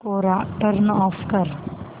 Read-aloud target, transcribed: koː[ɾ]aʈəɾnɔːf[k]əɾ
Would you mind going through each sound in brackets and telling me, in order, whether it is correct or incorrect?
correct, correct

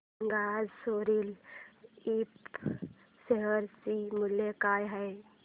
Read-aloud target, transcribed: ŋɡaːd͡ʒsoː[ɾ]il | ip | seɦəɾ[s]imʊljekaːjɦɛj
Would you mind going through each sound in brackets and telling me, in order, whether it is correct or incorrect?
correct, correct

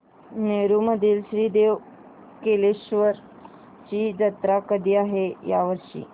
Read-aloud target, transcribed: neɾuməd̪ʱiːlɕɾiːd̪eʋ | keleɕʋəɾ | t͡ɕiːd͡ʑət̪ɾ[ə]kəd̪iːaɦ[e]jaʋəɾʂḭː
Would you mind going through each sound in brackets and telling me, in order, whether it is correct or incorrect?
incorrect: a, correct

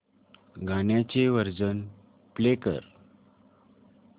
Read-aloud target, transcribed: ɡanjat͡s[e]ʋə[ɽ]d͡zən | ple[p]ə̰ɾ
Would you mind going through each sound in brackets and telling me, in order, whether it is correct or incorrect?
correct, incorrect: ɾ, incorrect: k

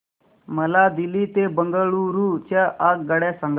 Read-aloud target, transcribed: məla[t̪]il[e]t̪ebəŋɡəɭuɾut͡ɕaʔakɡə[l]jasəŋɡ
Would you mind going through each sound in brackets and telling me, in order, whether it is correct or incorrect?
incorrect: d̪, incorrect: i, incorrect: ɽ

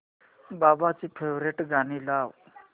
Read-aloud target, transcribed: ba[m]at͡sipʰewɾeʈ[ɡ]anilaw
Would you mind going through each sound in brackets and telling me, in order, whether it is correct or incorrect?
incorrect: b, correct

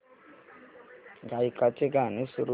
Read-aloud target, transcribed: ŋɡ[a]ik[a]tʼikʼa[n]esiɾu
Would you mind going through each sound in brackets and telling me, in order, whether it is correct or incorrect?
correct, correct, correct

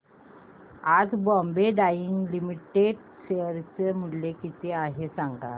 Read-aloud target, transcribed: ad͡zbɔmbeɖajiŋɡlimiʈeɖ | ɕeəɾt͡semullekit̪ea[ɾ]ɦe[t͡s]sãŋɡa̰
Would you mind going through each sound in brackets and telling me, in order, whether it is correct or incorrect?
incorrect: none, incorrect: none

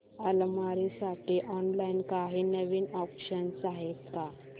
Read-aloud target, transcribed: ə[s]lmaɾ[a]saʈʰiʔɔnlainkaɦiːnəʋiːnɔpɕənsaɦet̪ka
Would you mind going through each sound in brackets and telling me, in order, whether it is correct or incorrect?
incorrect: none, incorrect: i

